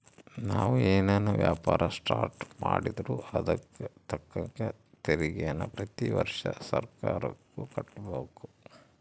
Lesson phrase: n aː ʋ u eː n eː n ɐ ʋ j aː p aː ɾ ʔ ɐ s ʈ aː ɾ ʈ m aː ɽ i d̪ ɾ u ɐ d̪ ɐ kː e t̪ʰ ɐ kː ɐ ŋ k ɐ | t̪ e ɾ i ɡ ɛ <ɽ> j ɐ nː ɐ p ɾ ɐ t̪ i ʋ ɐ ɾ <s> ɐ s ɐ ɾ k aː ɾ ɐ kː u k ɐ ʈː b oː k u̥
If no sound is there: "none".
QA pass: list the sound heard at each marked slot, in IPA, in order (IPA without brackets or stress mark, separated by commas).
none, ʂ